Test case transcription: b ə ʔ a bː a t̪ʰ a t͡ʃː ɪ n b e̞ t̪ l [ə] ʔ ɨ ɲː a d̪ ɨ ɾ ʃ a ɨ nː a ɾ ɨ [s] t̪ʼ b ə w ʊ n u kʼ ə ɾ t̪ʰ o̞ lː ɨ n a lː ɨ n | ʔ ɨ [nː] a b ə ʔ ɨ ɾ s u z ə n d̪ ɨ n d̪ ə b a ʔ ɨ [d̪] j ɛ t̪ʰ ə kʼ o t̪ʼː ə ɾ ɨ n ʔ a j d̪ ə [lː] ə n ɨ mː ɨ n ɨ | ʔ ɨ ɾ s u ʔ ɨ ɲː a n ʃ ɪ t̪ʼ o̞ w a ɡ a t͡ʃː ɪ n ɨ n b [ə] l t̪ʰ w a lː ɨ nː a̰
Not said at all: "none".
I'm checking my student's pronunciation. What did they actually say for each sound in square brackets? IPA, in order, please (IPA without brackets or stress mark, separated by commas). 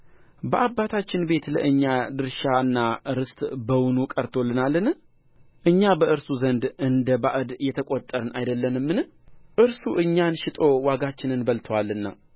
ə, s, ɲː, d̪, lː, ə